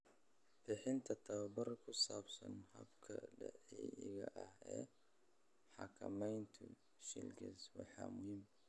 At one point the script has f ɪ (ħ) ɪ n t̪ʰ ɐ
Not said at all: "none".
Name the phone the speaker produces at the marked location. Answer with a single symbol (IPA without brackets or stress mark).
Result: ħ